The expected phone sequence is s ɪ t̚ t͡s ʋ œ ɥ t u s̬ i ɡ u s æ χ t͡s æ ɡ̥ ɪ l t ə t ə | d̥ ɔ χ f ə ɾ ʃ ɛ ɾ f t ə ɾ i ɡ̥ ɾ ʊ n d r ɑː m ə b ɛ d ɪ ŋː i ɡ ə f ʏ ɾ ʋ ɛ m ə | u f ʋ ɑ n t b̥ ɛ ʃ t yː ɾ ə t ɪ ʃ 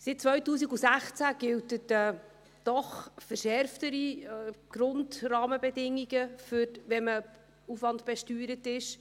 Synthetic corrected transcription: s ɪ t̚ t͡s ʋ œ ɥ t uː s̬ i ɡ u s æ χ t͡s æ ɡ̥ ɪ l t ə t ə | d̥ ɔ χ f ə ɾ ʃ ɛ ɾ f t ə ɾ i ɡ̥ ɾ ʊ n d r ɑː m ə b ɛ d ɪ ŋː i ɡ ə f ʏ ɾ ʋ ɛ m ə | u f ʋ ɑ n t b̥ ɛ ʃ t yː ɾ ə t ɪ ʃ